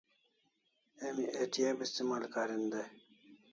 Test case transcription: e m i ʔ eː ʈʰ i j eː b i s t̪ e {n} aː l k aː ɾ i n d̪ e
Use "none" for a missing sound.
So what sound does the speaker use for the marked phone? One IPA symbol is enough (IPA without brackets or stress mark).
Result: m